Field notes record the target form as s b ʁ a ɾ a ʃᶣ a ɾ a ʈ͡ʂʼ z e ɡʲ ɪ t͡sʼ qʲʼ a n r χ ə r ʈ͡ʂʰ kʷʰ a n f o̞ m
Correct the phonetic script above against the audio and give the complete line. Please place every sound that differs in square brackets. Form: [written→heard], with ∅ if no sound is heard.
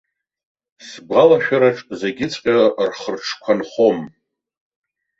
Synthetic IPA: s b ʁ a [ɾ→l] a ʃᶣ a ɾ a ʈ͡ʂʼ z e ɡʲ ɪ t͡sʼ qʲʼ a [n→∅] r χ ə r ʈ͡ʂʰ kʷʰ a n [f→χ] o̞ m